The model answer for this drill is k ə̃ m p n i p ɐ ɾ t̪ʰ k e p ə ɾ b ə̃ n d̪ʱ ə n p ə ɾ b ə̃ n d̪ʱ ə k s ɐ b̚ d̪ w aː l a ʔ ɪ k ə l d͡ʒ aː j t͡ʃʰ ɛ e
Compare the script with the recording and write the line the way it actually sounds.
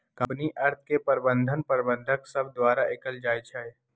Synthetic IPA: k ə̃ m p n i ʔ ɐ ɾ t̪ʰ k e p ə ɾ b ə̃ n d̪ʱ ə n p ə ɾ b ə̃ n d̪ʱ ə k s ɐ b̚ d̪ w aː ɾ a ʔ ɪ k ə l d͡ʒ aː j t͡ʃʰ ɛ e